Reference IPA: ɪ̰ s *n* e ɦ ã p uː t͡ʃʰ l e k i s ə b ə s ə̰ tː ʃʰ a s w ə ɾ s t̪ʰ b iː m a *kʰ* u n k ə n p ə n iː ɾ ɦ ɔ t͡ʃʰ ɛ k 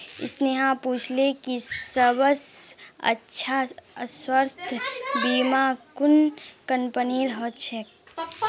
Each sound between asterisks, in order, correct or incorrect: correct, incorrect: k

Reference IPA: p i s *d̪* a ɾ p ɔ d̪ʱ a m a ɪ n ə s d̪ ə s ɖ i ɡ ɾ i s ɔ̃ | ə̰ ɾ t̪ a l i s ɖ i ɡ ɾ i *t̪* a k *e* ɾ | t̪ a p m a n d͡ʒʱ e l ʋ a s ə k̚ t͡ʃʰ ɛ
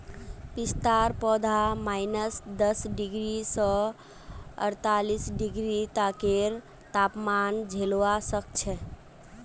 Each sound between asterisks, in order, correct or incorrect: incorrect: t̪, correct, correct

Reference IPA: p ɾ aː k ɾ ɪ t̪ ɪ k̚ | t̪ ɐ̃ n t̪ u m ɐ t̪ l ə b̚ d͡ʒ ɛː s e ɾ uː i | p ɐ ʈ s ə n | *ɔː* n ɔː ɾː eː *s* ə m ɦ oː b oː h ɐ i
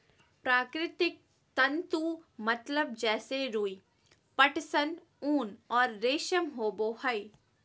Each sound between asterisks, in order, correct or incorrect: incorrect: uː, incorrect: ʃ

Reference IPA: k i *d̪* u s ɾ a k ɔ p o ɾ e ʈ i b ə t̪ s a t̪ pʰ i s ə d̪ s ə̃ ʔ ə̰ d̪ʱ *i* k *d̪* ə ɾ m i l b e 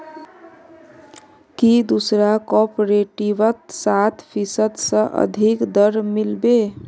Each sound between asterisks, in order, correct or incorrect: correct, correct, correct

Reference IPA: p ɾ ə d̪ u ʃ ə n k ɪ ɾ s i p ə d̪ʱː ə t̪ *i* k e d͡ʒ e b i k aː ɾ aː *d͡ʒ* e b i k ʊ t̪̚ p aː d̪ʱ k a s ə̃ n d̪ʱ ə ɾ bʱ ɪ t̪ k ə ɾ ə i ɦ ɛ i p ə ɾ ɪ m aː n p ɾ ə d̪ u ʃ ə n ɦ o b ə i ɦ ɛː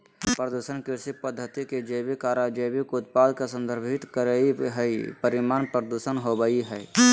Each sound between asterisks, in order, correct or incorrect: correct, correct

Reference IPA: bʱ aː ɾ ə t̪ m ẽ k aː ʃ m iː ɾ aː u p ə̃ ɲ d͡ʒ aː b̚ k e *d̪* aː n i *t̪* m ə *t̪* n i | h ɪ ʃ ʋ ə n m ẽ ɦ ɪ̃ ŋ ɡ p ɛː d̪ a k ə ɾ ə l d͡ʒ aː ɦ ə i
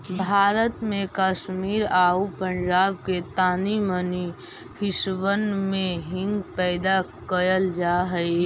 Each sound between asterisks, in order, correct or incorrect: incorrect: t̪, incorrect: none, incorrect: none

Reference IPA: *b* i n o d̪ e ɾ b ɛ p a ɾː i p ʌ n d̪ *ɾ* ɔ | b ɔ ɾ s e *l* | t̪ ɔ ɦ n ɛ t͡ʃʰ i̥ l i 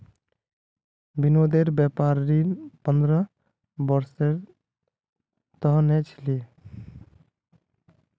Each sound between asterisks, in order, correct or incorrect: correct, correct, incorrect: ɾ

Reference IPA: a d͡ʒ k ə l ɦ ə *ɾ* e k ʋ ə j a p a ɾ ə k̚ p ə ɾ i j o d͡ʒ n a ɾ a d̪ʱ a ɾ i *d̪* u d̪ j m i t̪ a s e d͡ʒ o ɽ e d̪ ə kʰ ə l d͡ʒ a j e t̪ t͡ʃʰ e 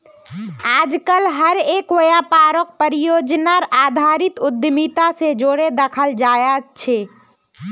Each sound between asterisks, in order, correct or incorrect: correct, incorrect: t̪

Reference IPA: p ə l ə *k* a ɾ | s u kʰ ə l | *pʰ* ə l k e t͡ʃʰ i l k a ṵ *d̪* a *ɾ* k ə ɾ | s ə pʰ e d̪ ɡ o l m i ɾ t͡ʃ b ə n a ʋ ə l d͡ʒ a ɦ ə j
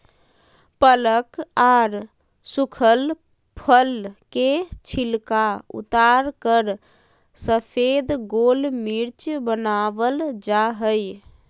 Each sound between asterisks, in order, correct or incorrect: correct, correct, incorrect: t̪, correct

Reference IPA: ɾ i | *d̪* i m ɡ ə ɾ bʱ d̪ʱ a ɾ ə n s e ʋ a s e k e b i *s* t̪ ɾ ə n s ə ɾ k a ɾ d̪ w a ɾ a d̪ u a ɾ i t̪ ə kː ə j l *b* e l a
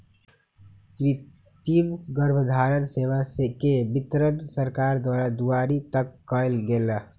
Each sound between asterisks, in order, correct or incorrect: incorrect: t̪, incorrect: none, incorrect: ɡ

